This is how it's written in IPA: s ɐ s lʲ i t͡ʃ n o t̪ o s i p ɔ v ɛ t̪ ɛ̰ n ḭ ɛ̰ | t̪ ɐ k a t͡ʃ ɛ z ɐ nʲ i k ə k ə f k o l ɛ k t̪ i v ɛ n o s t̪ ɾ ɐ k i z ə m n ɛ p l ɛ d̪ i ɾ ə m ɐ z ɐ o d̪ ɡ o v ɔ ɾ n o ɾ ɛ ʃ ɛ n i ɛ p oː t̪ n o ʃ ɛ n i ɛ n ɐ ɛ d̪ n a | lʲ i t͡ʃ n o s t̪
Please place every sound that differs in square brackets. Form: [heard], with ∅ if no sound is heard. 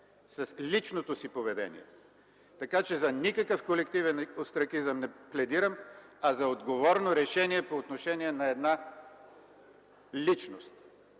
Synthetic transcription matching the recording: s ɐ s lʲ i t͡ʃ n o t̪ o s i p [o] v ɛ [d̪] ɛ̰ n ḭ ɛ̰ | t̪ ɐ k a t͡ʃ ɛ z ɐ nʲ i k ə k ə f k o l ɛ k t̪ i v ɛ n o s t̪ ɾ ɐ k i z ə m n ɛ p l ɛ d̪ i ɾ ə m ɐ z ɐ o d̪ ɡ o v ɔ ɾ n o ɾ ɛ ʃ ɛ n i ɛ p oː t̪ n o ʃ ɛ n i ɛ n ɐ ɛ d̪ n a | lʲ i t͡ʃ n o s t̪